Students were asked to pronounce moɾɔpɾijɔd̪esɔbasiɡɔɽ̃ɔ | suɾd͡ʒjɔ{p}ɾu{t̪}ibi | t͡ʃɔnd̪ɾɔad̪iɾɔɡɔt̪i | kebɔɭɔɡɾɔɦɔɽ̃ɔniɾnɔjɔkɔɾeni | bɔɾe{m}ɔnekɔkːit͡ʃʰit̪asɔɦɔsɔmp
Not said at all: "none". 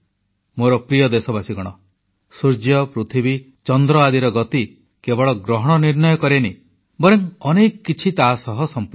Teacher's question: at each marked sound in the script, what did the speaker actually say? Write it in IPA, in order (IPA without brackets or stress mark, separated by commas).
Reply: p, t̪ʰ, ŋ